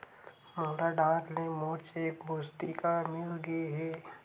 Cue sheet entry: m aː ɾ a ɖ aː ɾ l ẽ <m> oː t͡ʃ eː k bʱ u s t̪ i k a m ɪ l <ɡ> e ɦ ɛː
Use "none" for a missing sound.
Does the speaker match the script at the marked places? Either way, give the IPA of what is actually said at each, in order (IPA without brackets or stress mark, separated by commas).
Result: m, ɡ